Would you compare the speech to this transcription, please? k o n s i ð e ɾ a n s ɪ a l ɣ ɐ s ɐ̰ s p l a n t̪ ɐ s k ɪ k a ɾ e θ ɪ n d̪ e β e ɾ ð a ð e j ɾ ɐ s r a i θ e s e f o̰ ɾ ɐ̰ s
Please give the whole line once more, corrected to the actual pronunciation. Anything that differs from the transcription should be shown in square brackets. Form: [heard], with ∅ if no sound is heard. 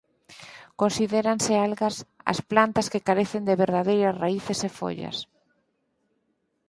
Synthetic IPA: k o n s i ð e ɾ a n s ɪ a l ɣ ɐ s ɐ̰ s p l a n t̪ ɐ s k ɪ k a ɾ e θ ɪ n d̪ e β e ɾ ð a ð e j ɾ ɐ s r a i θ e s e f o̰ [ʎ] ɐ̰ s